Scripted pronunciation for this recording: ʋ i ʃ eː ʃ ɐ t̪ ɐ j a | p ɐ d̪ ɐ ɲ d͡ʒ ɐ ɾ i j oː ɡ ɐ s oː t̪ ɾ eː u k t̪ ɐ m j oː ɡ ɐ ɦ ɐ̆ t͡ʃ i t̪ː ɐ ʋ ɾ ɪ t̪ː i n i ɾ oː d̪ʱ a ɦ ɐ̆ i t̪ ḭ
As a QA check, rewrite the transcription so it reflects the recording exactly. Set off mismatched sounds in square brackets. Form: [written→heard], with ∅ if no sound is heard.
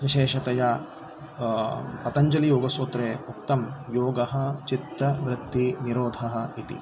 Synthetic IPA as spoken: ʋ i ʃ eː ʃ ɐ t̪ ɐ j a | p ɐ [d̪→t̪] ɐ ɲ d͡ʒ ɐ [ɾ→l] i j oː ɡ ɐ s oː t̪ ɾ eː u k t̪ ɐ m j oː ɡ ɐ ɦ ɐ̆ t͡ʃ i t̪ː ɐ ʋ ɾ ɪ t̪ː i n i ɾ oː d̪ʱ [a→ɐ] ɦ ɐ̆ i t̪ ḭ